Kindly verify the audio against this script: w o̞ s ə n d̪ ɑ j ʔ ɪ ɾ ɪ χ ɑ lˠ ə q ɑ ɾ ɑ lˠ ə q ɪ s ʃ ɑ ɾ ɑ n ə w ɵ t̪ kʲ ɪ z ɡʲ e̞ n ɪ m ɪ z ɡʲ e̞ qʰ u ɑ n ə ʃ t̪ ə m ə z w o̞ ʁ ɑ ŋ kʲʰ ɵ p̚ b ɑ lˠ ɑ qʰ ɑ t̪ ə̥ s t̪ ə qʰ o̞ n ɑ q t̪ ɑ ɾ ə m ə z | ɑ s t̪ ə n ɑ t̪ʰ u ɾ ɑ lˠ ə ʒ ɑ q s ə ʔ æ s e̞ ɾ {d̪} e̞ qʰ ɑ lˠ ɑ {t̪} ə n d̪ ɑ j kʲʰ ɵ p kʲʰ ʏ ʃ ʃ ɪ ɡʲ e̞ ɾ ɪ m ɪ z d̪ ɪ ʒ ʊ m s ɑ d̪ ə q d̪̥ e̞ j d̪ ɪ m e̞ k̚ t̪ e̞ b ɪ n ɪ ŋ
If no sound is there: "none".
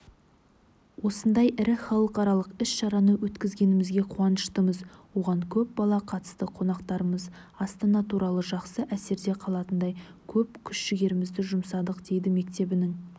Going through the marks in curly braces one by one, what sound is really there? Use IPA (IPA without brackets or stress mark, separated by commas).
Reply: d̪, t̪